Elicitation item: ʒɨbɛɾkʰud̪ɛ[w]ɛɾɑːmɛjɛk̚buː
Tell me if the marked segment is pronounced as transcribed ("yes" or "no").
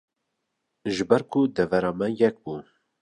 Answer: no